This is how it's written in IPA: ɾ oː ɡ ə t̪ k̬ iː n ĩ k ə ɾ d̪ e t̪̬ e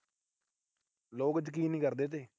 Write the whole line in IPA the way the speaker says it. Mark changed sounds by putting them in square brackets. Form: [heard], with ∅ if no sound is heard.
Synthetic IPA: [l] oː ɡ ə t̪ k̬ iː n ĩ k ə ɾ d̪ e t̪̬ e